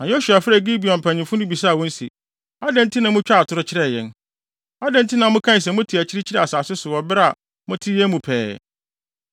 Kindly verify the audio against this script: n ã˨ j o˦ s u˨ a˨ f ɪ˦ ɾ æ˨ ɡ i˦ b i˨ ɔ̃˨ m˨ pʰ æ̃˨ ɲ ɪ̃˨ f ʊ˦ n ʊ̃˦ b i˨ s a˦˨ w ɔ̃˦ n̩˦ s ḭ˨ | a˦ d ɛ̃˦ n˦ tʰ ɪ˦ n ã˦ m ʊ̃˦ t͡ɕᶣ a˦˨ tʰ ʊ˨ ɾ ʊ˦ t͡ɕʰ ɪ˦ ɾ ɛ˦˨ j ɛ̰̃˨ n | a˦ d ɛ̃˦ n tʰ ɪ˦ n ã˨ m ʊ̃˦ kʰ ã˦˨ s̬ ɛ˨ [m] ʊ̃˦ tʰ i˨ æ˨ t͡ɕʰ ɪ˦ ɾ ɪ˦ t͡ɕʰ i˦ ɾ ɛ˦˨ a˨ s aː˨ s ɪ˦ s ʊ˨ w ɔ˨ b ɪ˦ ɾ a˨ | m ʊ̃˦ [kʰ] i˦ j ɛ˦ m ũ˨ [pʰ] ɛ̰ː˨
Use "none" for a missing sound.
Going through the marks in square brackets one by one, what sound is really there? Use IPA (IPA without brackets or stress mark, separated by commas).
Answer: m, tʰ, pʰ